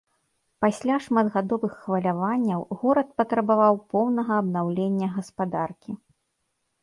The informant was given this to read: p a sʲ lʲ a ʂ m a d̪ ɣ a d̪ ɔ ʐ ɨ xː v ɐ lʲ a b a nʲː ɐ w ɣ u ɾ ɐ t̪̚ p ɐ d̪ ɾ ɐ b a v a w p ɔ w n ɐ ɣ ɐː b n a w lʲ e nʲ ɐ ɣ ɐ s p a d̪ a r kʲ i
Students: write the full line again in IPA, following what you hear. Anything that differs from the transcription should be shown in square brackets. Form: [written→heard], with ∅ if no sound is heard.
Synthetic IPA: p a sʲ lʲ a ʂ m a d̪ ɣ a d̪ ɔ [ʐ→v] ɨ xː v ɐ lʲ a [b→v] a nʲː ɐ w ɣ [u→ɔ] ɾ ɐ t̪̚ p ɐ [d̪→t̪] ɾ ɐ b a v a w p ɔ w n ɐ ɣ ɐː b n a w lʲ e [nʲ→nʲː] ɐ ɣ ɐ s p a d̪ a r kʲ i

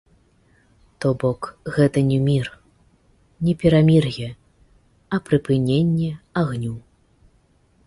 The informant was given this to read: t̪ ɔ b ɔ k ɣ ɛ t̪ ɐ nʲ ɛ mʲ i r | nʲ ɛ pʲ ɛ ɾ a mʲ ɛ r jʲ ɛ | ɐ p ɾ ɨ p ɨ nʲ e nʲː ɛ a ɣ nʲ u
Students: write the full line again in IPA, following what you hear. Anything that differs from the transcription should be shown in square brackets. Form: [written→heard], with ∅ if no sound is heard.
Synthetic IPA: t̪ ɔ b ɔ k ɣ ɛ t̪ ɐ nʲ ɛ mʲ i r | nʲ ɛ pʲ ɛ ɾ a mʲ [ɛ→i] r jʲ ɛ | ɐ p ɾ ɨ p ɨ nʲ e nʲː ɛ a ɣ nʲ u

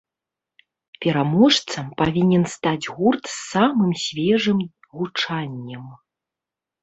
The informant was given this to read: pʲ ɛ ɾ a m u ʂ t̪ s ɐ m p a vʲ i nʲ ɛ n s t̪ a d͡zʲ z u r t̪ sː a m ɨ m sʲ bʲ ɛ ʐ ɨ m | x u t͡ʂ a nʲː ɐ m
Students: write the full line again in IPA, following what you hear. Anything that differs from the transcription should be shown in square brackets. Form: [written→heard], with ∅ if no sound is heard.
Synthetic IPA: pʲ ɛ ɾ a m [u→ɔ] ʂ t̪ s ɐ m p a vʲ i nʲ ɛ n s t̪ a d͡zʲ [z→ɣ] u r t̪ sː a m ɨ m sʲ [bʲ→vʲ] ɛ ʐ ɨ m | [x→ɣ] u t͡ʂ a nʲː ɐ m

